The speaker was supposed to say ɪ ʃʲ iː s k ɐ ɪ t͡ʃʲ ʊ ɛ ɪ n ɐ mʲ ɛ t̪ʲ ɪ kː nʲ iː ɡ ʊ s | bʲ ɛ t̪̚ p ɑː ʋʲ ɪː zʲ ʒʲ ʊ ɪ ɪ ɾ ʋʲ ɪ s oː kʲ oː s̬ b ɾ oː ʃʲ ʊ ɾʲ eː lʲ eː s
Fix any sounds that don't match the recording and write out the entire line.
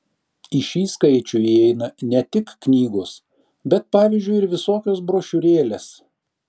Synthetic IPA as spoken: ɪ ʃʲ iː s k ɐ ɪ t͡ʃʲ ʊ ɛ ɪ n ɐ nʲ ɛ t̪ʲ ɪ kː nʲ iː ɡ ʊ s | bʲ ɛ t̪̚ p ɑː ʋʲ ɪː zʲ d͡ʒʲ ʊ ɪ ɪ ɾ ʋʲ ɪ s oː kʲ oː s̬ b ɾ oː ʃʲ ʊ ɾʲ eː lʲ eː s